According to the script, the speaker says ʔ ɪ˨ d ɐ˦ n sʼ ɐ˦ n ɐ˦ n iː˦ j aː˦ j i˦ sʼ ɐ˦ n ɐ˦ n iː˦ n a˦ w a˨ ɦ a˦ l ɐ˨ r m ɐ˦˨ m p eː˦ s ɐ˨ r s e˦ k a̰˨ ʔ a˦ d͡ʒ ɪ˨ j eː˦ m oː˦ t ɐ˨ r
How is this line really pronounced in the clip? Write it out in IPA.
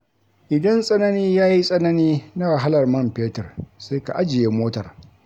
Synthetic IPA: ʔ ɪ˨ d ɐ˦ n sʼ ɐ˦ n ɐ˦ n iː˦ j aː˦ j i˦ sʼ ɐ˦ n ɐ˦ n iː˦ n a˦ w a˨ ɦ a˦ l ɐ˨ r m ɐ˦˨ m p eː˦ t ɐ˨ r s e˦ k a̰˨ ʔ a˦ d͡ʒ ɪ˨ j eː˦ m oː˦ t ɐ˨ r